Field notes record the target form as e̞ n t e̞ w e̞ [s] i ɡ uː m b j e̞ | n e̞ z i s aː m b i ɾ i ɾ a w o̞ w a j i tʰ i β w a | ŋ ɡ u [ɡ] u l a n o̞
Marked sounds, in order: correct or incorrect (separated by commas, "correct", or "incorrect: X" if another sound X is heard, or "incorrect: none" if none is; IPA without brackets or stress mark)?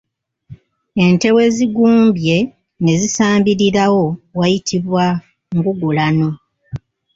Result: incorrect: z, correct